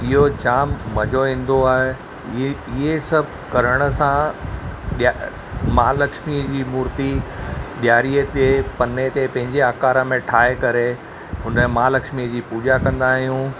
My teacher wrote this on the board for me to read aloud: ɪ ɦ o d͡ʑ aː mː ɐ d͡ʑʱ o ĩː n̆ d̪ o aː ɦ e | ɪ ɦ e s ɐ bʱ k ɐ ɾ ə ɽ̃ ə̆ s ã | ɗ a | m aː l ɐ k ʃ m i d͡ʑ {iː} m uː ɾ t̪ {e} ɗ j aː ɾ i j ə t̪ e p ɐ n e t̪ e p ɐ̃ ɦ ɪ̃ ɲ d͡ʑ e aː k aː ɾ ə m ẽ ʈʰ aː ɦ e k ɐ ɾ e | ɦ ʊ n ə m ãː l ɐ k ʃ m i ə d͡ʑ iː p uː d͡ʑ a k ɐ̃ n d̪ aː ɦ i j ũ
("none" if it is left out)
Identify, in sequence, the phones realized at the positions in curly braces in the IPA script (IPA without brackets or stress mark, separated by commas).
iː, i